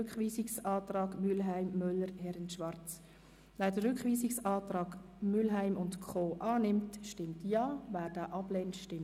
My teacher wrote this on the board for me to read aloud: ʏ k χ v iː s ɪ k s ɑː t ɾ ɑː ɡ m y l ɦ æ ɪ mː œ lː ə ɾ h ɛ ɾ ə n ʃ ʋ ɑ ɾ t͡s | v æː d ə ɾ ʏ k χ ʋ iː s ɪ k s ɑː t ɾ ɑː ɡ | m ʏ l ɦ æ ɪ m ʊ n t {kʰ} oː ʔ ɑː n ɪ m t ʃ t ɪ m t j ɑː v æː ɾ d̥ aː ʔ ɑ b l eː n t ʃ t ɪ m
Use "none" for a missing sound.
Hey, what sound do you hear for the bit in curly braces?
kʰ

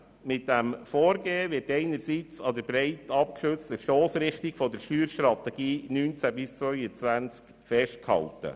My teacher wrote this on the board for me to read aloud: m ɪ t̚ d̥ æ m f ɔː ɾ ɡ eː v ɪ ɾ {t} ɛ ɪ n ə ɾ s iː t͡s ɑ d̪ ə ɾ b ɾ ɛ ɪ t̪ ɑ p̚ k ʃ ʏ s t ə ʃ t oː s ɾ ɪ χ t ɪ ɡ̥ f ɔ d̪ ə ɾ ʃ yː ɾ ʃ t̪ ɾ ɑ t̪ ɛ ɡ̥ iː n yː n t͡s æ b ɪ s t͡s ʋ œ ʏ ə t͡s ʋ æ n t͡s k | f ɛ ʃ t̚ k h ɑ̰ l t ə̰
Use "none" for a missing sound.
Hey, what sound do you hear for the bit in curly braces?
t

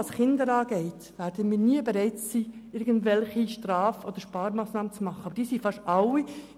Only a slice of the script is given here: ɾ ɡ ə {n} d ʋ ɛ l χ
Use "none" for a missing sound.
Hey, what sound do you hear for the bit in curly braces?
n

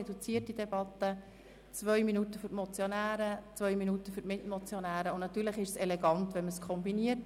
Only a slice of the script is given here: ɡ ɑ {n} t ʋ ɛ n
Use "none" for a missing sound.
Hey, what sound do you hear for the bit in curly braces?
n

